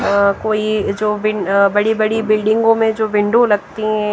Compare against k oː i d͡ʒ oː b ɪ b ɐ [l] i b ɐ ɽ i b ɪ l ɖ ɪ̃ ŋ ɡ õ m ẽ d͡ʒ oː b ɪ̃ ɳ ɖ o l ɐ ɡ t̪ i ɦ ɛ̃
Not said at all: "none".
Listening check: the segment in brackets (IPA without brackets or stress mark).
ɽ